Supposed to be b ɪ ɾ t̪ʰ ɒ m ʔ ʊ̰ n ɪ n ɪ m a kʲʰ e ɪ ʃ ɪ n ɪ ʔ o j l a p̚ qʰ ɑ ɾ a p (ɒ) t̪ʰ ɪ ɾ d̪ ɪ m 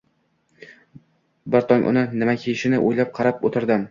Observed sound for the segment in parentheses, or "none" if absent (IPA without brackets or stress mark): o